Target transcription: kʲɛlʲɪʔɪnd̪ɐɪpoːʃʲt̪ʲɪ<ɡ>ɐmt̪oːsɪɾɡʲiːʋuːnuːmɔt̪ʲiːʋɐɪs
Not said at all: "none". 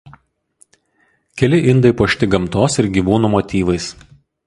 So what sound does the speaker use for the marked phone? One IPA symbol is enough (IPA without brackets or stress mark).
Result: ɡ